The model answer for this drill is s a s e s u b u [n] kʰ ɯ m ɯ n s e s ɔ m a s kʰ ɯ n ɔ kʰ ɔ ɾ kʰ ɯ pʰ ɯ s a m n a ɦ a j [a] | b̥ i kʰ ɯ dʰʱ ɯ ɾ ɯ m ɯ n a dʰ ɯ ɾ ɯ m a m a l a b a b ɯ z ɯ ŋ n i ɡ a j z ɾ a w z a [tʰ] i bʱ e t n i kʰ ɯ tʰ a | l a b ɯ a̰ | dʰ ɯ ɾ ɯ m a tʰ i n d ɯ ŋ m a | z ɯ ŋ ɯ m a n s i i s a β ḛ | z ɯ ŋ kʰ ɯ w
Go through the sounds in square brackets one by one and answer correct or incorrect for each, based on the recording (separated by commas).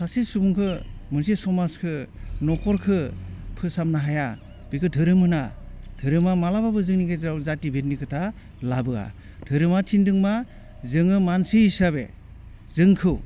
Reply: incorrect, correct, incorrect